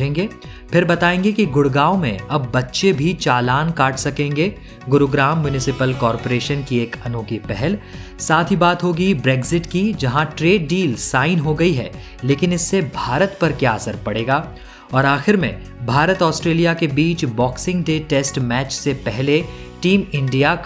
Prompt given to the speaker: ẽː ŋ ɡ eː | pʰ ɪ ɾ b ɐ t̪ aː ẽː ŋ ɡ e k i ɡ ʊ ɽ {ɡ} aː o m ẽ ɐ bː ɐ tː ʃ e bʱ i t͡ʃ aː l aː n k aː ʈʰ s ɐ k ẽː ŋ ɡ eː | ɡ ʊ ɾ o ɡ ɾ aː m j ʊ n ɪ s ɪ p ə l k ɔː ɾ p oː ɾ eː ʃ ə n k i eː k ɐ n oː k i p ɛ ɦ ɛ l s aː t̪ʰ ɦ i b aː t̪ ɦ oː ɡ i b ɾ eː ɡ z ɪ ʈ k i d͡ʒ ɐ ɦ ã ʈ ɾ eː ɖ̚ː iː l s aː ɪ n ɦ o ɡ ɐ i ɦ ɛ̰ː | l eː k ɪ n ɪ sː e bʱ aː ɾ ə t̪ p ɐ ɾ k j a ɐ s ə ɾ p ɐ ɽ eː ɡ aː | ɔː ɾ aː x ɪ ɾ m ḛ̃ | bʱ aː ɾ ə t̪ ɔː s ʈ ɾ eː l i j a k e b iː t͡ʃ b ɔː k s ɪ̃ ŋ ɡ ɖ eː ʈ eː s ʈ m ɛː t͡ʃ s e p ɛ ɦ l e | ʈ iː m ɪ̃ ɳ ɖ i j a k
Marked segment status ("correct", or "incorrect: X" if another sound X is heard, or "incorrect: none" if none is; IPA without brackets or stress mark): correct